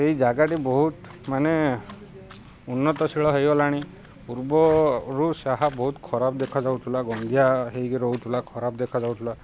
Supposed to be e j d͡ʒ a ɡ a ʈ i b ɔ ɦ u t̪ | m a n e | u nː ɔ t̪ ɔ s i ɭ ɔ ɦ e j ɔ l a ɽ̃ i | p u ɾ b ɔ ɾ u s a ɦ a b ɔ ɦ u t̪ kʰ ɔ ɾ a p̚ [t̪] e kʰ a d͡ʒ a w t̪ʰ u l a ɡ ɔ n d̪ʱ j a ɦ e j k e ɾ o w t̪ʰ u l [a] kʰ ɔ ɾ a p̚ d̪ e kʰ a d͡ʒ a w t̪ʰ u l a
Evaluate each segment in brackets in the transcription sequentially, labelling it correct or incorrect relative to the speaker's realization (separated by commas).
incorrect, correct